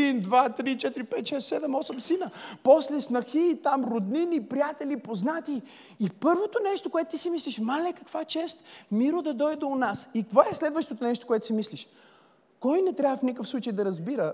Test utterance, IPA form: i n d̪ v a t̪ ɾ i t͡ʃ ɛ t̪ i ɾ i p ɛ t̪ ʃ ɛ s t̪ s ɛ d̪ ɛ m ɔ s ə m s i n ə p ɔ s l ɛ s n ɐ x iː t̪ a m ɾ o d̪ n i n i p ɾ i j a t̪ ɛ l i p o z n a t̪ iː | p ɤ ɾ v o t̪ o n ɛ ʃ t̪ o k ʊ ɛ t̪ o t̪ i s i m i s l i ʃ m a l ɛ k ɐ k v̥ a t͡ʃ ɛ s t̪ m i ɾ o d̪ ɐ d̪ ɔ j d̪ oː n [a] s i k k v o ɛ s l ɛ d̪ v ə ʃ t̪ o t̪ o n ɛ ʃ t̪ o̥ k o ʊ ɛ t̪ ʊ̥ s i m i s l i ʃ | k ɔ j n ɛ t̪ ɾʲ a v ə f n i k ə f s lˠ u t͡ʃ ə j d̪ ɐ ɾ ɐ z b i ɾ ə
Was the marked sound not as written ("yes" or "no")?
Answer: no